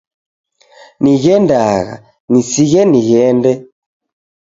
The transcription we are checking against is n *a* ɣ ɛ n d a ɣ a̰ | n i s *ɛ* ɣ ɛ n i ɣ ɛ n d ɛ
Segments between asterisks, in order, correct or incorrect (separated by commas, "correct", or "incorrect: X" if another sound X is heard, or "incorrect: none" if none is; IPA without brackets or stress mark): incorrect: i, incorrect: i